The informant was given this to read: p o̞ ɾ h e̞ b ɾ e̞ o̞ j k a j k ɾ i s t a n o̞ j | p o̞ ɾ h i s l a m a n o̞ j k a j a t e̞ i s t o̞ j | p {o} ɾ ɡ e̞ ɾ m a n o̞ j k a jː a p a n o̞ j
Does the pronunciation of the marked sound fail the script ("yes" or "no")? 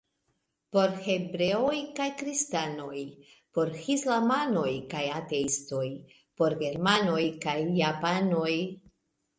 no